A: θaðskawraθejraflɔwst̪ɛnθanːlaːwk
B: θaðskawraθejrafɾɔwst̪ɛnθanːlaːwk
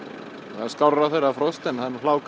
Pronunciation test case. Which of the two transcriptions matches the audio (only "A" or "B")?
B